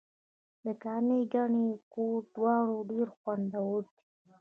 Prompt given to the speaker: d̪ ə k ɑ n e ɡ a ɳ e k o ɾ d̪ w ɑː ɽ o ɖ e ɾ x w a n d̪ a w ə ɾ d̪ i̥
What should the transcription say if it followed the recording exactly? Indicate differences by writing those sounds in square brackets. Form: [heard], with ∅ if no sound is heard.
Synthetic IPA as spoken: d̪ ə k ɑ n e ɡ a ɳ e k o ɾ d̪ w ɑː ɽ o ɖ e ɾ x w a n d̪ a w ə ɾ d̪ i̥